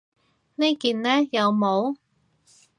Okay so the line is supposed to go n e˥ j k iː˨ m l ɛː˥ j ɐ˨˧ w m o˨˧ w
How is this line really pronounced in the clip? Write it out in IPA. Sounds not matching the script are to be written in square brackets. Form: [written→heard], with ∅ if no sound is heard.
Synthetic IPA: n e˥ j k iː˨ [m→n] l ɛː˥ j ɐ˨˧ w m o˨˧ w